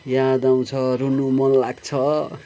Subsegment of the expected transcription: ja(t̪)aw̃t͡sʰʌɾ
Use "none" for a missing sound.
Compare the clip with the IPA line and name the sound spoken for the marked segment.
d̪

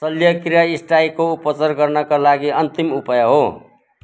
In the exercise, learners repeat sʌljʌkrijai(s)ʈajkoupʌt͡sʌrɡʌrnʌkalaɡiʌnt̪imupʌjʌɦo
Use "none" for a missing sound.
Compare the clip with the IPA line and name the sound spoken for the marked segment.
s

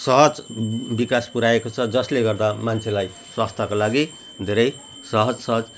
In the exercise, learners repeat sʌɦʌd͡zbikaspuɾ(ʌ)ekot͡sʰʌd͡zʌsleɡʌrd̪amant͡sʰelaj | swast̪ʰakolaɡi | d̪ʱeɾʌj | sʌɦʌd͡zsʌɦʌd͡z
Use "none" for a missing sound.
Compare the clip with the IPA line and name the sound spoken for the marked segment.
a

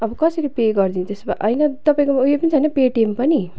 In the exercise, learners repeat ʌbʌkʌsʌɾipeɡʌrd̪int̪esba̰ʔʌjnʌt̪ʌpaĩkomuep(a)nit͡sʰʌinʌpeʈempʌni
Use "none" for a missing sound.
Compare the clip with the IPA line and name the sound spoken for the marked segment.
ʌ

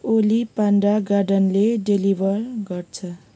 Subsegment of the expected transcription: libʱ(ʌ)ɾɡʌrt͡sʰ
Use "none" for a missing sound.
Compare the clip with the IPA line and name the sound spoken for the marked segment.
ʌ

